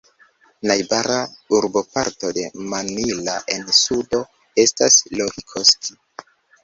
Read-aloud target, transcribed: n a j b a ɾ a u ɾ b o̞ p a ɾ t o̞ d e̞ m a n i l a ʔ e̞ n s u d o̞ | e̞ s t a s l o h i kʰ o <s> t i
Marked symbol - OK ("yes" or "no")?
yes